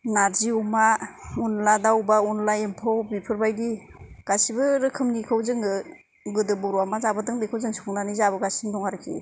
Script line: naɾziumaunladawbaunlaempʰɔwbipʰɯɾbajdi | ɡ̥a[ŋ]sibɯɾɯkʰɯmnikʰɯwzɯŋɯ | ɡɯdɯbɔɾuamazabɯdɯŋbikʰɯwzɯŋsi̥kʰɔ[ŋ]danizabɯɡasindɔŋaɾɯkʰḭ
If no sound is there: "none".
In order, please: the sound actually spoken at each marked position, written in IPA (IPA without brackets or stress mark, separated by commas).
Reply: none, ŋ